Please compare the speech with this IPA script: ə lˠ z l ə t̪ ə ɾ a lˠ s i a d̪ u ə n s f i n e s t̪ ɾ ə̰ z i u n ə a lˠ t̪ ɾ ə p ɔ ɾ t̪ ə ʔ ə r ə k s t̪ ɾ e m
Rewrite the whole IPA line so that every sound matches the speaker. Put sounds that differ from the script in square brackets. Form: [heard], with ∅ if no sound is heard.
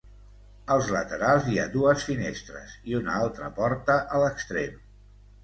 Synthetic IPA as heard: ə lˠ z l ə t̪ ə ɾ a lˠ [z] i a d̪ u ə [∅] s f i n e s t̪ ɾ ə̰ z i u n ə a lˠ t̪ ɾ ə p ɔ ɾ t̪ ə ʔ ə [l] ə k s t̪ ɾ e m